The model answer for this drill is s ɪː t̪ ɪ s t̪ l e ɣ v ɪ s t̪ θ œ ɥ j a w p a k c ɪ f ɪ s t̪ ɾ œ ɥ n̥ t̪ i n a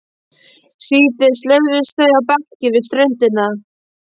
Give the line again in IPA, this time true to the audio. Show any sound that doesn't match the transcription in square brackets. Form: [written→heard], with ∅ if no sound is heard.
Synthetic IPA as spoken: s [ɪː→iː] t̪ ɪ s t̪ l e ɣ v ɪ s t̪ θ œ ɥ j a w p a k c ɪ [f→v] ɪ s t̪ ɾ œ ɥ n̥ t̪ [i→ɪ] n a